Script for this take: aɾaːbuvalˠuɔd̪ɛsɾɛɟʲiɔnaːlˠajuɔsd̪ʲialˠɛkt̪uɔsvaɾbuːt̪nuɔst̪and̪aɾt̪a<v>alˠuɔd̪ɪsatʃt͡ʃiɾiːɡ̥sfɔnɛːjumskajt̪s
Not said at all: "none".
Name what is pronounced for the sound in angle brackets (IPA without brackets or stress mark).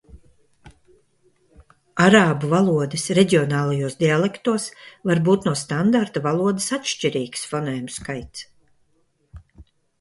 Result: v